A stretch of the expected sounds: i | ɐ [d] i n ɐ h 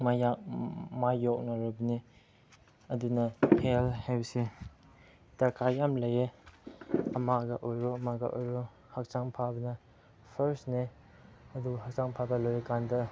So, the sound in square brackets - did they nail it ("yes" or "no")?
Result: yes